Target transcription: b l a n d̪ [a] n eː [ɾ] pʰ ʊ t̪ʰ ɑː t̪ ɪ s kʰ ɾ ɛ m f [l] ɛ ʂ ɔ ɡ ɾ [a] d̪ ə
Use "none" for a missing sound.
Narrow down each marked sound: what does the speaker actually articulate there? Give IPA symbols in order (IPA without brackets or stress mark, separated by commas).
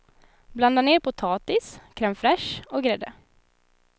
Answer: a, ɾ, ɾ, ɛ